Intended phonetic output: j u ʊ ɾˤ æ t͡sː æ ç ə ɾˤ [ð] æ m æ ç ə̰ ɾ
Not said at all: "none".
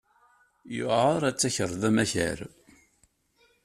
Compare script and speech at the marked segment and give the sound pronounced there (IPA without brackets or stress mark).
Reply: ð